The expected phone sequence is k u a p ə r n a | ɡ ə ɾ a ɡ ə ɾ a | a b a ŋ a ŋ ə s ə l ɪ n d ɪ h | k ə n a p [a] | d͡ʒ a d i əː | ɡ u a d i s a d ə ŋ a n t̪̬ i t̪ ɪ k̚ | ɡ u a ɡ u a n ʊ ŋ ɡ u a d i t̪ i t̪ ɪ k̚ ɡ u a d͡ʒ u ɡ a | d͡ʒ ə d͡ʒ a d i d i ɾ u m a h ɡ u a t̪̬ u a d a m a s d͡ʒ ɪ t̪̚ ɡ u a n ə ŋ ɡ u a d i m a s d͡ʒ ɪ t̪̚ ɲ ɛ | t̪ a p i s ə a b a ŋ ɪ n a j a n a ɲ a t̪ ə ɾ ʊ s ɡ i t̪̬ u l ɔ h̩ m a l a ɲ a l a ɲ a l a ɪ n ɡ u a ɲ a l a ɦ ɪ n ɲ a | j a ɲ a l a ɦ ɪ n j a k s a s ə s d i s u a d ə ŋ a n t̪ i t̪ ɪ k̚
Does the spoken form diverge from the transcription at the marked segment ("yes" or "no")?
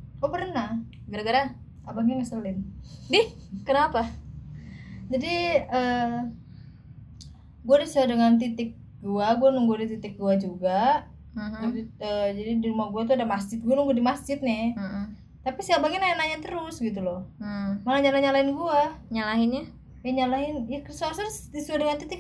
no